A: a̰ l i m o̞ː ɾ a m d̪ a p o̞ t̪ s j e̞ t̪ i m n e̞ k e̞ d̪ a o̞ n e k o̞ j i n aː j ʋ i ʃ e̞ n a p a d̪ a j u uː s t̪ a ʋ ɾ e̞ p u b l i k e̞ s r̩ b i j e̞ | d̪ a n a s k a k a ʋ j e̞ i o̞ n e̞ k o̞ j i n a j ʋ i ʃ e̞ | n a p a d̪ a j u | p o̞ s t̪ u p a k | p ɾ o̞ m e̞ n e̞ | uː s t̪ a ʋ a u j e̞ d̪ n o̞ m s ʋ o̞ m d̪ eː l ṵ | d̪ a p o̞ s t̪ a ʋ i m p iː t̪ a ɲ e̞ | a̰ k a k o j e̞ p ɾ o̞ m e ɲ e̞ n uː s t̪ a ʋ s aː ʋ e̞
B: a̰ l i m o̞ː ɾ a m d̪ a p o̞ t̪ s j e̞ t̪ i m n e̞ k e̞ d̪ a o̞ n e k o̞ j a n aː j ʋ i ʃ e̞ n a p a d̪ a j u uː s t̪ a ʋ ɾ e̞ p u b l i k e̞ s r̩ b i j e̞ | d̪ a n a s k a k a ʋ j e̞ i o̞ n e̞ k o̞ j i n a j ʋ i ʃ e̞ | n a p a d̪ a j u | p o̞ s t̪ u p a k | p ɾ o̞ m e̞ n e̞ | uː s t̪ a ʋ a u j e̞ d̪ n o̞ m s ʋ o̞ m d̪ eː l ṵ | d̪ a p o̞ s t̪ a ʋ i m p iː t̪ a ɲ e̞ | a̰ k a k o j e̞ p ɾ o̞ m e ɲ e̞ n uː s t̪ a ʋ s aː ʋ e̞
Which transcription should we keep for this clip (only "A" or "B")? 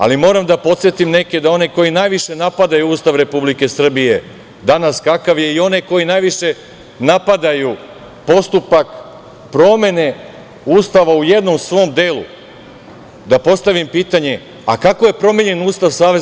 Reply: A